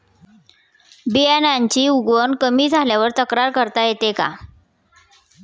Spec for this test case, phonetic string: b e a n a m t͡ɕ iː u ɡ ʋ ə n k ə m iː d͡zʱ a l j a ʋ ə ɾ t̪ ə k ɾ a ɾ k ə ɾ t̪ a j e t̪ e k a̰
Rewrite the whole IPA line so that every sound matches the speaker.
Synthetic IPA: b i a n a ɲ t͡ɕ iː u ɡ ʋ ə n k ə m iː d͡zʱ a l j a ʋ ə ɾ t̪ ə k ɾ a ɾ k ə ɾ t̪ a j e t̪ e k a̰